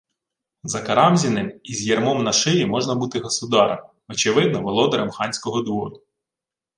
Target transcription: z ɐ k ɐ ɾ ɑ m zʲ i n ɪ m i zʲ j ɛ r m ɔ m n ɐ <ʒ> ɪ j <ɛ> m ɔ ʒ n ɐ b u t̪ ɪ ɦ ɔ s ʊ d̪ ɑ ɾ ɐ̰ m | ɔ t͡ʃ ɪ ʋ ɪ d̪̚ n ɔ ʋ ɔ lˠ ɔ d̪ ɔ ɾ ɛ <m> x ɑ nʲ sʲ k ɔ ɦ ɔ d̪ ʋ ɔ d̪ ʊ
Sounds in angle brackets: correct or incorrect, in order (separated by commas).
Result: incorrect, incorrect, correct